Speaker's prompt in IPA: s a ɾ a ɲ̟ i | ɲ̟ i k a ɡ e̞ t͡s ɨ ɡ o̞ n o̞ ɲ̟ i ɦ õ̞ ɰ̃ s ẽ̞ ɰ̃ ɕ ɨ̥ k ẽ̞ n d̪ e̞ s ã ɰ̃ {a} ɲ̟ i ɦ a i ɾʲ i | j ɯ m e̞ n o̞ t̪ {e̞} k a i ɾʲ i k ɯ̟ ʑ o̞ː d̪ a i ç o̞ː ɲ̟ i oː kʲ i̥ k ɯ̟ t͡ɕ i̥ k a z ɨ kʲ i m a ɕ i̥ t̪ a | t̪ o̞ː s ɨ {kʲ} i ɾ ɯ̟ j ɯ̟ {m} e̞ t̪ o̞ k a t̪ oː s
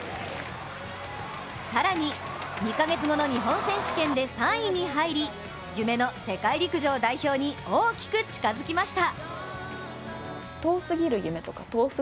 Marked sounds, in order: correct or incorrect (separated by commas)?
incorrect, correct, incorrect, correct